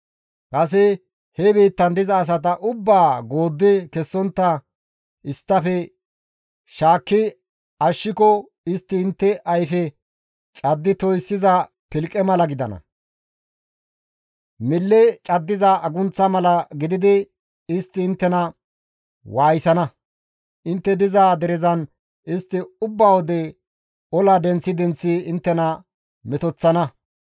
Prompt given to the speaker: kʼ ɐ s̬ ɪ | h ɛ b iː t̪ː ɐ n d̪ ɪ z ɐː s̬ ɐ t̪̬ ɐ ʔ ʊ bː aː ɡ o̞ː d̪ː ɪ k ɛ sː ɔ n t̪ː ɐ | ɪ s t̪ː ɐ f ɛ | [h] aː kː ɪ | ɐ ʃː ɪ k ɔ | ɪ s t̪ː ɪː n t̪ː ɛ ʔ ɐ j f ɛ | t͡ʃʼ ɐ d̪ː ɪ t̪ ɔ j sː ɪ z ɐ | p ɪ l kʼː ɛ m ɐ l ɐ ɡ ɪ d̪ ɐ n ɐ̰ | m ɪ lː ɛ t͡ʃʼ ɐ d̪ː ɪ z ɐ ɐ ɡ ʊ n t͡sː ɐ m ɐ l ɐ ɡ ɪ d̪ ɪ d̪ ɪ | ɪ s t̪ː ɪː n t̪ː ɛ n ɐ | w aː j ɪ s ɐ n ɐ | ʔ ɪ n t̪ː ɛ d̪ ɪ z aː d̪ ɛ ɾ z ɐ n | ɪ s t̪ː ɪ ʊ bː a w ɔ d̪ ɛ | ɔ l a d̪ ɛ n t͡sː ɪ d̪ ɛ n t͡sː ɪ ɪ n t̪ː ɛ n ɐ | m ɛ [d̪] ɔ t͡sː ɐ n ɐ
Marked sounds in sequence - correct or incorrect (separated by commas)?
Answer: incorrect, incorrect